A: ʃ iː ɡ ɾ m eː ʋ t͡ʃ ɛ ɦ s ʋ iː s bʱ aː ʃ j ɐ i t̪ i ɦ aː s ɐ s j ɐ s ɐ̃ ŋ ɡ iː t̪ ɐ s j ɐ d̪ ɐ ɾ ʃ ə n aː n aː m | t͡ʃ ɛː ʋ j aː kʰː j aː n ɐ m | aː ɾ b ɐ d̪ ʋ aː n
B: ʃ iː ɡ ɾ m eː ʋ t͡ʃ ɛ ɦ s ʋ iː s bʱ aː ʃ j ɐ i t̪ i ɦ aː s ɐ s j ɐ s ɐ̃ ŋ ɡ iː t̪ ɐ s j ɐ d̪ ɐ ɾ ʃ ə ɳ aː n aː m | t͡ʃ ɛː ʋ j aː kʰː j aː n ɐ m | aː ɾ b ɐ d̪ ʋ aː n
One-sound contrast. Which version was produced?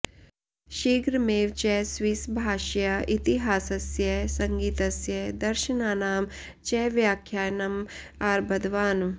A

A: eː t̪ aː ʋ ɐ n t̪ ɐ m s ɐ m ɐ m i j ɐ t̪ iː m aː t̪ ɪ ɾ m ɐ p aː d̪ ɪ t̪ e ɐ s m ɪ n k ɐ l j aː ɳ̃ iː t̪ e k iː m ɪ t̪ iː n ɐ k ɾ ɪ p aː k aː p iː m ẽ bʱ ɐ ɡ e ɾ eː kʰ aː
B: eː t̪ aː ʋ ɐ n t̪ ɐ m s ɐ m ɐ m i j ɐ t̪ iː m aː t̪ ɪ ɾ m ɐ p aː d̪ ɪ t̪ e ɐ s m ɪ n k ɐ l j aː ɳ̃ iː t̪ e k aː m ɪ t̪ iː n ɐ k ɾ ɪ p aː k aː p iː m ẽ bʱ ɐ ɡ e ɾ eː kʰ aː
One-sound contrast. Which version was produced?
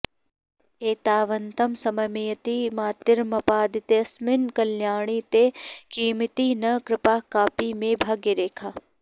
A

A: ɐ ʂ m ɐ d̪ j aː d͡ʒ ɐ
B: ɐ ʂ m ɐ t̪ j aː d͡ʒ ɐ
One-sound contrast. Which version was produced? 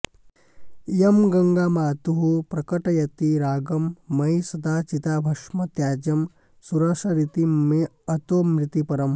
B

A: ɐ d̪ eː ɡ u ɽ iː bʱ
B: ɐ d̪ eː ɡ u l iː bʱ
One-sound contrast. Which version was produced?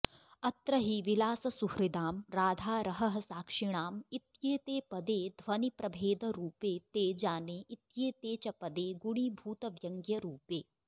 A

